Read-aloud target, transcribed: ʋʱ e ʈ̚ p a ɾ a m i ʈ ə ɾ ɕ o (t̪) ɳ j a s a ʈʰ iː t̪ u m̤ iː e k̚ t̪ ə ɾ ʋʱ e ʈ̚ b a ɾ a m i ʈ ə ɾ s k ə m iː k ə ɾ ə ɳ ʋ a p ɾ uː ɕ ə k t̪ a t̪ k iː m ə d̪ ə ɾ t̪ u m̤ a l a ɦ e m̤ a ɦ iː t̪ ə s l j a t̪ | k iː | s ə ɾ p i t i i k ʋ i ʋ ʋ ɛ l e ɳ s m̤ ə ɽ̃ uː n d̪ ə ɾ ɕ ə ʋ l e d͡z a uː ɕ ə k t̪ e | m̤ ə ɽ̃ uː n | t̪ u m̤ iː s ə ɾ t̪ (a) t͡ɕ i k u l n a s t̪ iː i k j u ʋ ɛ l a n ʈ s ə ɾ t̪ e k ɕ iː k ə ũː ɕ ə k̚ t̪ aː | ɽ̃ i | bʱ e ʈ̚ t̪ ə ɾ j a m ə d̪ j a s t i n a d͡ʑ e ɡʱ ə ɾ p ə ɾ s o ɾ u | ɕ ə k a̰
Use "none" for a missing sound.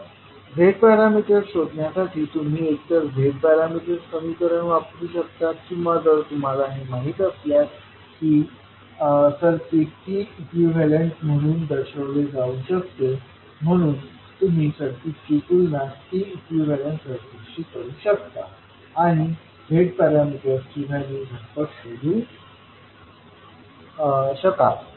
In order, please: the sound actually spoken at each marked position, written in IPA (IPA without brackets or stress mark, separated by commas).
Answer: d̪, i